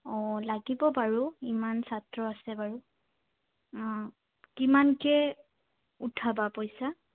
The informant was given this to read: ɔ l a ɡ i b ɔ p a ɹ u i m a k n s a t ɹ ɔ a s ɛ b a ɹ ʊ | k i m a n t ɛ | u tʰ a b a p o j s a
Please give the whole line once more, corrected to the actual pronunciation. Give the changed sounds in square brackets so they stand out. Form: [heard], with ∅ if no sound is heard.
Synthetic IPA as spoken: ɔ l a ɡ i b ɔ p a ɹ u i m a [∅] n s a t ɹ ɔ a s ɛ b a ɹ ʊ | k i m a n [k] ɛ | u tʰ a b a p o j s a